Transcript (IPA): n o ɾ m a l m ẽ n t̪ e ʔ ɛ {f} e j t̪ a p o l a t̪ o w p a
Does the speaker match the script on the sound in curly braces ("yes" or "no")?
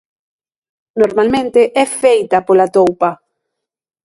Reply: yes